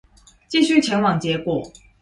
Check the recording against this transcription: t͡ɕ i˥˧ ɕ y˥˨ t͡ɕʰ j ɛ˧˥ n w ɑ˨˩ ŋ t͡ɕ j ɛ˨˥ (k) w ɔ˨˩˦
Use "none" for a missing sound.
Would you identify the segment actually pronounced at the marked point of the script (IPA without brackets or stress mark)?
k